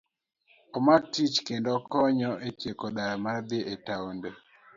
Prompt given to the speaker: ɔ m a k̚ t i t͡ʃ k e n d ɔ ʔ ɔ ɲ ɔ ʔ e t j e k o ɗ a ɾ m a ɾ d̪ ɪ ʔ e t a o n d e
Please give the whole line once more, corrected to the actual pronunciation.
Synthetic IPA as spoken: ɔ m a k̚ t i t͡ʃ k e n d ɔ k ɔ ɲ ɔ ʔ e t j e k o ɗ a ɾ m a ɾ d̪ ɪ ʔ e t a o n d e